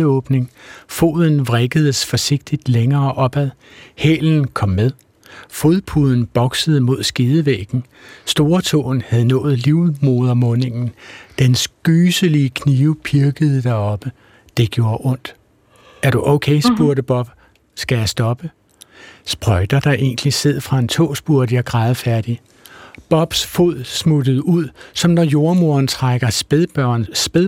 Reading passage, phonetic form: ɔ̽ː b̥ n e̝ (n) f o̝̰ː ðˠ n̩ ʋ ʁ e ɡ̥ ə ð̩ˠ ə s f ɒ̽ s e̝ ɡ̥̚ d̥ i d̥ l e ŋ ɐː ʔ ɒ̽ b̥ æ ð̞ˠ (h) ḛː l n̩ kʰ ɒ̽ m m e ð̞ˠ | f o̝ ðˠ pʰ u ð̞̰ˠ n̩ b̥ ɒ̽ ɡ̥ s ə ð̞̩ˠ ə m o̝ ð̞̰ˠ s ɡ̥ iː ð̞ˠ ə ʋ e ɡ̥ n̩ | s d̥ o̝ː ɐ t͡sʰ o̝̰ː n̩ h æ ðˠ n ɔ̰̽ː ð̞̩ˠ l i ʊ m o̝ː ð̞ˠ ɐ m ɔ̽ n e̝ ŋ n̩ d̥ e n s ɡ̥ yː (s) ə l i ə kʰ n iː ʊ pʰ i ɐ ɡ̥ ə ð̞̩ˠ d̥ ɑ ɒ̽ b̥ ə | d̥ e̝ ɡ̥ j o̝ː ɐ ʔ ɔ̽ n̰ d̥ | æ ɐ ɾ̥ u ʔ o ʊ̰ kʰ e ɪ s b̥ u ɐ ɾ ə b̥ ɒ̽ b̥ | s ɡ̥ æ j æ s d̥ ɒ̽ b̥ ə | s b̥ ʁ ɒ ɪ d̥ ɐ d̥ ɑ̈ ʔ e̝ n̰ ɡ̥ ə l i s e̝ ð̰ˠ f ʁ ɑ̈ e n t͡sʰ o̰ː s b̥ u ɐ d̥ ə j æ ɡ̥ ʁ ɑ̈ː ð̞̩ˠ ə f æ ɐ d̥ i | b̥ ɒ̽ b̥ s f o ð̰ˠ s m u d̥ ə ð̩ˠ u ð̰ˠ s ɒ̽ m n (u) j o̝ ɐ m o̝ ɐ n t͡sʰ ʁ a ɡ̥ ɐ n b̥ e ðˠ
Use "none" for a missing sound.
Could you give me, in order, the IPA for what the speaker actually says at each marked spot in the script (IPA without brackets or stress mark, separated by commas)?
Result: ŋ, h, s, ɒ